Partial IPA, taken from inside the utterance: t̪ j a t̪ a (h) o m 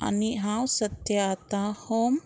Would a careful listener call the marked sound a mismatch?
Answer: no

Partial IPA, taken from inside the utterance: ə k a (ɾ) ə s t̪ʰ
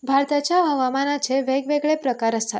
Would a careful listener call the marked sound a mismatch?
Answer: no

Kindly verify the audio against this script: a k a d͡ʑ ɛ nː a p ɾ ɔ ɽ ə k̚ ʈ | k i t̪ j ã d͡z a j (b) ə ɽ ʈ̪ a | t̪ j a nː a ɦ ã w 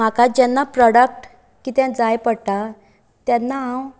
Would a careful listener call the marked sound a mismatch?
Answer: yes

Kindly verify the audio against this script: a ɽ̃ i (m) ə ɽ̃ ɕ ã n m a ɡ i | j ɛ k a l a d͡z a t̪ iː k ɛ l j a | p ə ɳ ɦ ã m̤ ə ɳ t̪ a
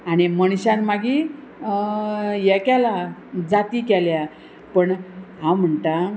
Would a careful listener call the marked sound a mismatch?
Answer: no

